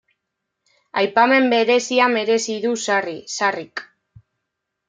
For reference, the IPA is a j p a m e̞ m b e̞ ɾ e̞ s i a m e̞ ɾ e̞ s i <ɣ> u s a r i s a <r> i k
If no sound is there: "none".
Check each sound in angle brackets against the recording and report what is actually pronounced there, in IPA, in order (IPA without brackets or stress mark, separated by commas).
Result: ð, r